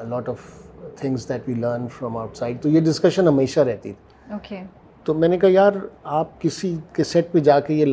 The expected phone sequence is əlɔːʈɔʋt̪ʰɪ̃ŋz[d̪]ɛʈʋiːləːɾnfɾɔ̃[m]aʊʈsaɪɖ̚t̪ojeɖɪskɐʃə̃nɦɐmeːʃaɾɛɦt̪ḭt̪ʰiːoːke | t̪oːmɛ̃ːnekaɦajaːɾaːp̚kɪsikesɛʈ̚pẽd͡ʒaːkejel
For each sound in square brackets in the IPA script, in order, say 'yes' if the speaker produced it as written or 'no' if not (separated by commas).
yes, yes